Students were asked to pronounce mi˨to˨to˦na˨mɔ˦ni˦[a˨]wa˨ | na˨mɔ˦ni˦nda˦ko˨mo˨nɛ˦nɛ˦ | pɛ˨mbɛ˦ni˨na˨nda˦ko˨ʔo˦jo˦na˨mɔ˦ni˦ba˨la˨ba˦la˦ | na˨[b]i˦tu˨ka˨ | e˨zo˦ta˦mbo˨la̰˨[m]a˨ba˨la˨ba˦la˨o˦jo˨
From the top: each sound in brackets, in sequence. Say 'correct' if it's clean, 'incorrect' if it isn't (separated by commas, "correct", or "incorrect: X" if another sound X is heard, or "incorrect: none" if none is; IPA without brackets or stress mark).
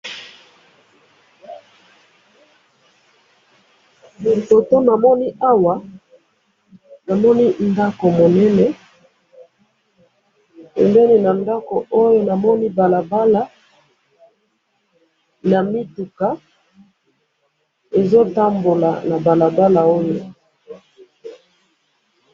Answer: incorrect: a˦, incorrect: m, incorrect: n